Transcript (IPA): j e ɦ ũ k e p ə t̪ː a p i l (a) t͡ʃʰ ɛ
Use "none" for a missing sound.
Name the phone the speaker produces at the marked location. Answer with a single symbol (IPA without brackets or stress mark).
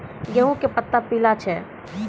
a